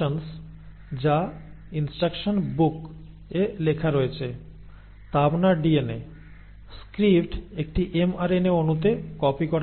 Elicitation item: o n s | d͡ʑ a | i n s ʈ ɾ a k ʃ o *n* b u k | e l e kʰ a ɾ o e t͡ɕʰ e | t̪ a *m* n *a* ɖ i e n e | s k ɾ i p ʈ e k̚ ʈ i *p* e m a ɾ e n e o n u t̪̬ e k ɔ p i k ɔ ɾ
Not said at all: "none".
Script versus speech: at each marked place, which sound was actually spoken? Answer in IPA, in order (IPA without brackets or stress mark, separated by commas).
n, b, a, ʔ